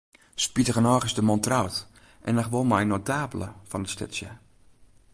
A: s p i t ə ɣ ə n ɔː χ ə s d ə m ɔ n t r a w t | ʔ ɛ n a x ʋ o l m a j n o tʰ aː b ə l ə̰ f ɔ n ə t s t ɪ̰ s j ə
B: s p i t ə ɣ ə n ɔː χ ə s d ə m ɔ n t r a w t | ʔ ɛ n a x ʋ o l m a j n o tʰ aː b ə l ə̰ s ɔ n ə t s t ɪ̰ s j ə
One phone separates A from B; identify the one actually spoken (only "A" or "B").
A